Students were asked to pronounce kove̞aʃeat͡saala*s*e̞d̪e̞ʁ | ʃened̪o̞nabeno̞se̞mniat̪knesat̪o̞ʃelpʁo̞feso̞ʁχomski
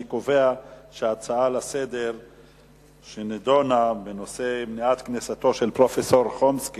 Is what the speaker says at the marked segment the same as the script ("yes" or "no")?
yes